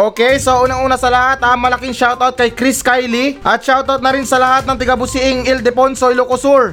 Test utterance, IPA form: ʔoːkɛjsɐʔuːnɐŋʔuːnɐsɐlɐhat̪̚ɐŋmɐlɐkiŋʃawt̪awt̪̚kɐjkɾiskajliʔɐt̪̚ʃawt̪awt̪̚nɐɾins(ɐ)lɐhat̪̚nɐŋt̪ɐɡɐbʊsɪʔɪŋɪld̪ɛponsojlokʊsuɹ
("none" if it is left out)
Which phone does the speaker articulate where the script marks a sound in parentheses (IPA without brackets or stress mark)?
ɐ